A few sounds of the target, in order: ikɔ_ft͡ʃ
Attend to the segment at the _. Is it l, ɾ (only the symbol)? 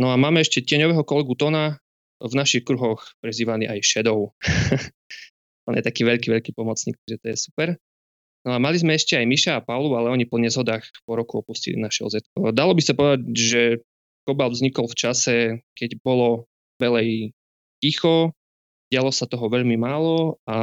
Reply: l